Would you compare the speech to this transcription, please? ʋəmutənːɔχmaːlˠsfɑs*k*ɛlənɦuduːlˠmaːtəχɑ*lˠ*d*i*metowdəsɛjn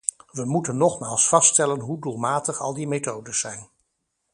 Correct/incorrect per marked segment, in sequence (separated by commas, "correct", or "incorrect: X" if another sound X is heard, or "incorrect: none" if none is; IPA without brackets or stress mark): incorrect: t, correct, correct